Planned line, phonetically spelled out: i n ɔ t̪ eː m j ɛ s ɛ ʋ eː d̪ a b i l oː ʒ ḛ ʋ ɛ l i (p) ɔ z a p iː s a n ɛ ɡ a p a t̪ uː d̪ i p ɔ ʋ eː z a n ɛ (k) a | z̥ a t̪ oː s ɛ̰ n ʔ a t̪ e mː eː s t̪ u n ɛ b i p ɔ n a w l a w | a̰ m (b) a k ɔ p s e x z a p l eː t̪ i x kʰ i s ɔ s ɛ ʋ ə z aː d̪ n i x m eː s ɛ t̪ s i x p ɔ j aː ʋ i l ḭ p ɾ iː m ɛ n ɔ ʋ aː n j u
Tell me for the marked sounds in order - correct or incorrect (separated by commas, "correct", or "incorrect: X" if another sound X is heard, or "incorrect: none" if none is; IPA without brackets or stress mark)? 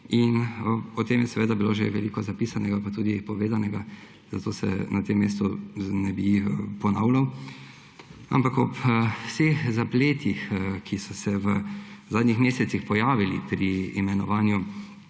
incorrect: k, incorrect: ɡ, incorrect: p